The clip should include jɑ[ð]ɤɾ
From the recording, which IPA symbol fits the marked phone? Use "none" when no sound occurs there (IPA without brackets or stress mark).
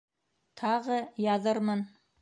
ð